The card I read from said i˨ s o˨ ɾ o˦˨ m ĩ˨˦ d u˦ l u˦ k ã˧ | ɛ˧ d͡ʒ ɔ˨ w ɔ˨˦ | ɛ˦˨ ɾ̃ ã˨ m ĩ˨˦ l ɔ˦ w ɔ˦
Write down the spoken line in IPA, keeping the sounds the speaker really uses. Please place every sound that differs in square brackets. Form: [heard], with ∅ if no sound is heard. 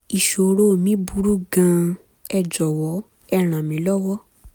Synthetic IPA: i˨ [ʃ] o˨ ɾ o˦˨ m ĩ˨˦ [b] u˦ [ɾ] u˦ [ɡ] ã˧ | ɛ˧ d͡ʒ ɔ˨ w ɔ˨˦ | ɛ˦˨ ɾ̃ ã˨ m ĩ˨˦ l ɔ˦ w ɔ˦